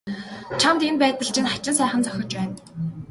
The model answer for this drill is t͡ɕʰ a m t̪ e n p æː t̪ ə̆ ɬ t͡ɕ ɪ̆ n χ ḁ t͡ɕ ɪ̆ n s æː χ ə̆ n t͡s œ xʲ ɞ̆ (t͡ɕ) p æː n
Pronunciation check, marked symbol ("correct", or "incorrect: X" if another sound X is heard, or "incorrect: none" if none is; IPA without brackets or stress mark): correct